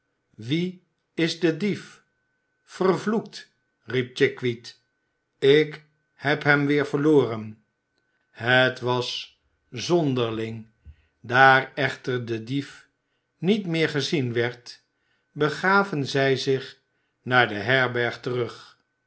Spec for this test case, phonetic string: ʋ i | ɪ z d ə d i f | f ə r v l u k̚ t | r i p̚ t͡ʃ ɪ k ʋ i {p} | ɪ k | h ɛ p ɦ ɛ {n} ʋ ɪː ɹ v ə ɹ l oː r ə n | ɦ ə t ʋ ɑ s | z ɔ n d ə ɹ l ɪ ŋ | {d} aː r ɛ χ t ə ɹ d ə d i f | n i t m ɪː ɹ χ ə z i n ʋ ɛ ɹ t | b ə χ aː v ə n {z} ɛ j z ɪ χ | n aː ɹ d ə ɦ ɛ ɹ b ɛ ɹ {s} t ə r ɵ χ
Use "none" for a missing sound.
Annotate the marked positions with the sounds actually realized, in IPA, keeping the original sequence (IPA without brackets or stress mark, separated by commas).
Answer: t, m, d, z, χ